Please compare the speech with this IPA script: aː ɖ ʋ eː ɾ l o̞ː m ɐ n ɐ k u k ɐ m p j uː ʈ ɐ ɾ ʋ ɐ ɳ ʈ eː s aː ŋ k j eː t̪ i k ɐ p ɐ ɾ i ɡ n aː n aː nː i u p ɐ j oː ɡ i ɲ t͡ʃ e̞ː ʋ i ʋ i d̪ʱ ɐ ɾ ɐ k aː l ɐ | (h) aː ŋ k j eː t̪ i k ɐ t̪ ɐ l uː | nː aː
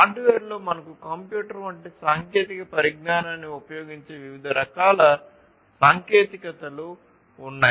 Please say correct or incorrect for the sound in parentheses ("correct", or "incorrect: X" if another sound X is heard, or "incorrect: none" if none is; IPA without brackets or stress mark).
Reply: incorrect: s